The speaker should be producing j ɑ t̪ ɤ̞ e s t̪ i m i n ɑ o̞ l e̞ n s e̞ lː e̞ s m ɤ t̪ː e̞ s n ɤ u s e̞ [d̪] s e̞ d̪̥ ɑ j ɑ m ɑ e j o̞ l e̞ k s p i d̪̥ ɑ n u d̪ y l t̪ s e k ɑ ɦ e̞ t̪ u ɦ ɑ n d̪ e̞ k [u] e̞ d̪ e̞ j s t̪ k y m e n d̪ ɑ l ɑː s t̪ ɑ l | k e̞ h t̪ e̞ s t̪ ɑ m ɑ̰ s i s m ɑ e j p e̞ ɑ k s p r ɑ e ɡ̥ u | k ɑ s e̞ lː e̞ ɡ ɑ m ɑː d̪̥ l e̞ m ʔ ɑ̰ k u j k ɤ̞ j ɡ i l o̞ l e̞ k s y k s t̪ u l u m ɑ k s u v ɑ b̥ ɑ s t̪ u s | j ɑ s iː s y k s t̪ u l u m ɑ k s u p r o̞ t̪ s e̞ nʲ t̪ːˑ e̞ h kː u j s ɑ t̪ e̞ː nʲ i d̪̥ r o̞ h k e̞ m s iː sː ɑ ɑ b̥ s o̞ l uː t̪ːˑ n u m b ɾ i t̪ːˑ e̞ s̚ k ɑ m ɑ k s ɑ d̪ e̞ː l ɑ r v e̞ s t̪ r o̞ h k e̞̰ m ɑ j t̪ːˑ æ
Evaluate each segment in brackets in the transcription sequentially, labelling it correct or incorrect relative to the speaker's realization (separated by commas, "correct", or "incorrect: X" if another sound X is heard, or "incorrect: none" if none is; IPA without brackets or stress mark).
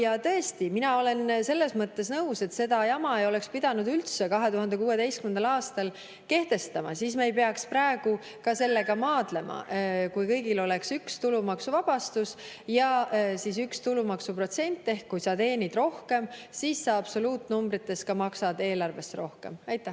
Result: incorrect: t̪, incorrect: uː